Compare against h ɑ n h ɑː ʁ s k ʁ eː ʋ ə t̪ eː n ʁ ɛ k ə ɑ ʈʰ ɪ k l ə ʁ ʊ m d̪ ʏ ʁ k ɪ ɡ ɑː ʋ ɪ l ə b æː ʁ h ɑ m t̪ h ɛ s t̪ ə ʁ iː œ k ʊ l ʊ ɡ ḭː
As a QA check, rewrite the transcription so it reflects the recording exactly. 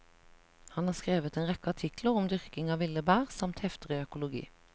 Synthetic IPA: h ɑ n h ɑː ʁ s k ʁ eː ʋ ə t̪ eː n ʁ ɛ k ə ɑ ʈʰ ɪ k l ə ʁ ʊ m d̪ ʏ ʁ k ɪ ŋ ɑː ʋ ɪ l ə b æː ʁ s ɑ m t̪ h ɛ f t̪ ə ʁ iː œ k ʊ l ʊ ɡ ḭː